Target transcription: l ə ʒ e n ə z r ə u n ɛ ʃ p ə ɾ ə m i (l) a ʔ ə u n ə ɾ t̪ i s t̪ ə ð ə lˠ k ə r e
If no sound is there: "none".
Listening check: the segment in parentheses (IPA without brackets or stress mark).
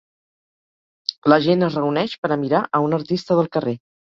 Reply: ɾ